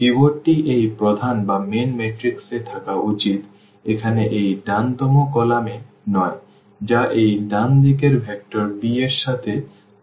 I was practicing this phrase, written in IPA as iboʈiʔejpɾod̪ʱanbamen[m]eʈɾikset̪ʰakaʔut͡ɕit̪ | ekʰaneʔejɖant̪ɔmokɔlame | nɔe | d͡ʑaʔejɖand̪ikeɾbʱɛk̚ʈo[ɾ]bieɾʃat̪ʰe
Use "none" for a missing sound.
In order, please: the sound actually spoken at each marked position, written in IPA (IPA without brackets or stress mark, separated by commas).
m, ɾ